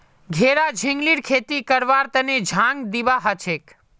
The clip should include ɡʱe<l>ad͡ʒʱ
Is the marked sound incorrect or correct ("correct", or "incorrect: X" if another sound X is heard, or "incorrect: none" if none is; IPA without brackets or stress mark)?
incorrect: ɾ